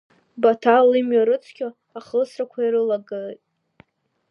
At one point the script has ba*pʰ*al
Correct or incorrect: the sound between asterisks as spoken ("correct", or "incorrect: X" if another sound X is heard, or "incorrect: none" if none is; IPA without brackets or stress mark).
incorrect: tʰ